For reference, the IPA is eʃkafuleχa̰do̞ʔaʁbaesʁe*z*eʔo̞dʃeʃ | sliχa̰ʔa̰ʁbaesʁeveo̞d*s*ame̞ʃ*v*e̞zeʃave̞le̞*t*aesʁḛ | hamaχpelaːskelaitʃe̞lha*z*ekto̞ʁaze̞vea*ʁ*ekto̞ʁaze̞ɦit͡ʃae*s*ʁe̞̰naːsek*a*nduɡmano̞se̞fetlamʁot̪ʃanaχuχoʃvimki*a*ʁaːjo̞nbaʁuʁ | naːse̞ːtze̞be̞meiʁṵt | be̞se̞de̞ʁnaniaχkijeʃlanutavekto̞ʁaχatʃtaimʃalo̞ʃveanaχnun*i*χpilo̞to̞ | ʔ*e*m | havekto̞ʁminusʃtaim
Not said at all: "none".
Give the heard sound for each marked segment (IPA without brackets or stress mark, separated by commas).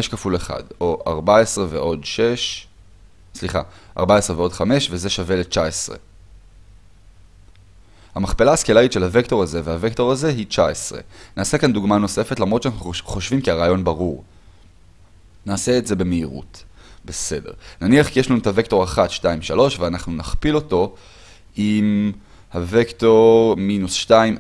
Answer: v, χ, v, t͡ʃ, v, v, s, a, a, a, i